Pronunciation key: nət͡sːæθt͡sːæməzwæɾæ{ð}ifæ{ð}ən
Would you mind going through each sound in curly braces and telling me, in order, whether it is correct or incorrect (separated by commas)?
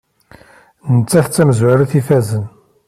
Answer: incorrect, incorrect